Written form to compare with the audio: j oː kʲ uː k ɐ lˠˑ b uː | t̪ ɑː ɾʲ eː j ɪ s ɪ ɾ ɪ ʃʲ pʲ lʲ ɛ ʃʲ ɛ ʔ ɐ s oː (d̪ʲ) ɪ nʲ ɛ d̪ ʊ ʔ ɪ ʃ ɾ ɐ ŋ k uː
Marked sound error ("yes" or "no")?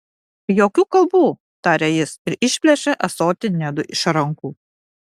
yes